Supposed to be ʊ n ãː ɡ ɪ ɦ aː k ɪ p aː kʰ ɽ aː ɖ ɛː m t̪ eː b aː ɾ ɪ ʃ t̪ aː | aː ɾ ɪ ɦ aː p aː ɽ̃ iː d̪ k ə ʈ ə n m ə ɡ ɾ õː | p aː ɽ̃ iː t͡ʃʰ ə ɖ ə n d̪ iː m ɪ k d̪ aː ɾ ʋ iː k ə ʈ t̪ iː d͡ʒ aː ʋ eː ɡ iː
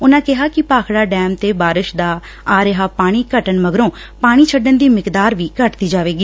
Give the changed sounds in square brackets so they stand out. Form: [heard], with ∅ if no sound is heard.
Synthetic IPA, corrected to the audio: ʊ n ãː [k] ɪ ɦ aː k ɪ p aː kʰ ɽ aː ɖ ɛː m t̪ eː b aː ɾ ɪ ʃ [d̪] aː | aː ɾ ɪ ɦ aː p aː ɽ̃ iː [∅] k ə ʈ ə n m ə ɡ ɾ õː | p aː ɽ̃ iː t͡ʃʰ ə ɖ ə n d̪ iː m ɪ k d̪ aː ɾ ʋ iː k ə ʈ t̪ iː d͡ʒ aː ʋ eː ɡ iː